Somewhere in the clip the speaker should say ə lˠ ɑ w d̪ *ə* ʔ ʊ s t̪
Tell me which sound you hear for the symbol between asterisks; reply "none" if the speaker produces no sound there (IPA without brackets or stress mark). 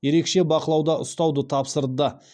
ɑ